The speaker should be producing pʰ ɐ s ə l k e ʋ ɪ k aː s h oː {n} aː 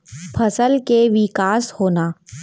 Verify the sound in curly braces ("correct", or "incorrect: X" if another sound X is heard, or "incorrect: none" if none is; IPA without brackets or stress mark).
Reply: correct